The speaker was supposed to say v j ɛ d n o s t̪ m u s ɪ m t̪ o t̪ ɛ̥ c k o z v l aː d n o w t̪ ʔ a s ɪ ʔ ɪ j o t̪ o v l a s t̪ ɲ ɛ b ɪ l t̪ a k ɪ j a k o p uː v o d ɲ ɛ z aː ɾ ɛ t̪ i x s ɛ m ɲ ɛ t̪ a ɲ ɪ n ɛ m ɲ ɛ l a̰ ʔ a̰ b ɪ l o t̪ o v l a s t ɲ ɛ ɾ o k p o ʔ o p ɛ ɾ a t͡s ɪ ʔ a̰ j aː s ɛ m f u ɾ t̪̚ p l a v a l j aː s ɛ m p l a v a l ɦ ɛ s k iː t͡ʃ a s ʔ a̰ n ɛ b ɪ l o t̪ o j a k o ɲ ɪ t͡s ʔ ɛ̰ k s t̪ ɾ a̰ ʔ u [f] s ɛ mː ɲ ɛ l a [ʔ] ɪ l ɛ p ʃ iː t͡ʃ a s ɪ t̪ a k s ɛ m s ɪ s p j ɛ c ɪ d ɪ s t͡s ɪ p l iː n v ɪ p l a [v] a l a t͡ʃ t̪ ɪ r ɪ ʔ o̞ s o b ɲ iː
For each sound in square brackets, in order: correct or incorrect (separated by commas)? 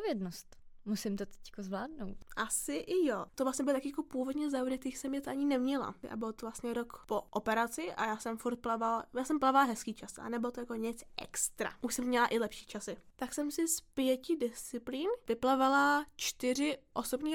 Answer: incorrect, correct, correct